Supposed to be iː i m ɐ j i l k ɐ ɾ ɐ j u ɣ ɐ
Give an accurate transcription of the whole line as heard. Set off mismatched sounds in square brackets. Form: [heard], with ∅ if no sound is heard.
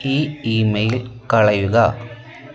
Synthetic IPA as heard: iː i m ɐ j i l k ɐ [ɭ] ɐ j u ɣ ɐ